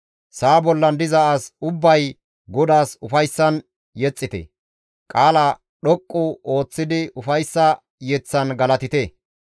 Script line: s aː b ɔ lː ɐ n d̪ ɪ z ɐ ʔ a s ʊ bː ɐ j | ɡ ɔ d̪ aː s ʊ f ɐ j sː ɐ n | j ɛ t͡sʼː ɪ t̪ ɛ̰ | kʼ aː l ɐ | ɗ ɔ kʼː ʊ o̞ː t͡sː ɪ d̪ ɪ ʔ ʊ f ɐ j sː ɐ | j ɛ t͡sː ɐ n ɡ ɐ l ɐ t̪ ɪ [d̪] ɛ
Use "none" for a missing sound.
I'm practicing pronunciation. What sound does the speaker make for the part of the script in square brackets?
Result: t̪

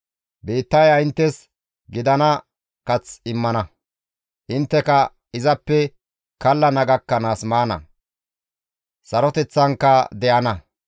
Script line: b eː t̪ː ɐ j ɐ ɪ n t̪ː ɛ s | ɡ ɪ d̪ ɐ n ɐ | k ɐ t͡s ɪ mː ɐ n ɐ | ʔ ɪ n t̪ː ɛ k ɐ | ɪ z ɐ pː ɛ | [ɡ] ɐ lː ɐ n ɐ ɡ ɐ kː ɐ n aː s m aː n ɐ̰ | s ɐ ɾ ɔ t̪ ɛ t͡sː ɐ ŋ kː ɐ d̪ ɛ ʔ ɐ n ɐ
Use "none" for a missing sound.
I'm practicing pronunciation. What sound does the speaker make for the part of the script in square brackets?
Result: k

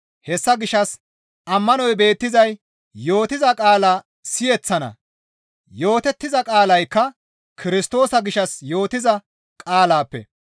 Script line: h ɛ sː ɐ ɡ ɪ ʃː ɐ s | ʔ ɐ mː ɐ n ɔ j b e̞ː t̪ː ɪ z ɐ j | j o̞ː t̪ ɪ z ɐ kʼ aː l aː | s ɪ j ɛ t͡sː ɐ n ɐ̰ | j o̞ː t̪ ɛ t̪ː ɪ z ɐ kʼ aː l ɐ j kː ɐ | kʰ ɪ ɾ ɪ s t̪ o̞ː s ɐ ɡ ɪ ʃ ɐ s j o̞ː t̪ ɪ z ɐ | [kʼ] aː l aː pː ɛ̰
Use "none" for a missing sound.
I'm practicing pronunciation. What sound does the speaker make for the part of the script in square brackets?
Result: kʼ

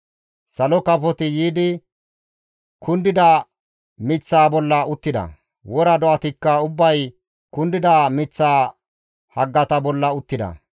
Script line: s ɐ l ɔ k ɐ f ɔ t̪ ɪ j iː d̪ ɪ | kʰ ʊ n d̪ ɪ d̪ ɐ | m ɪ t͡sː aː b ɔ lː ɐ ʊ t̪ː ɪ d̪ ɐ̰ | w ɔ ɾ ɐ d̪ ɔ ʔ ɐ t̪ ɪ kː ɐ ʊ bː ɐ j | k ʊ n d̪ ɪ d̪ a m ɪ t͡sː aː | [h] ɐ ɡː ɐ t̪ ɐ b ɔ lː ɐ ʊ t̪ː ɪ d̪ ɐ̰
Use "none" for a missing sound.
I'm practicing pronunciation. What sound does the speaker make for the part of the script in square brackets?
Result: h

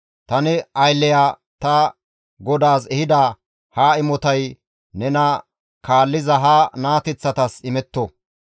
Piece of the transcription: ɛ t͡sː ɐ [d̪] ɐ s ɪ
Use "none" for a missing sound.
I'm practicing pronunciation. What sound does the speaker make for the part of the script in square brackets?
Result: t̪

